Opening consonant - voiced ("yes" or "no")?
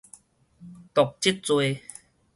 no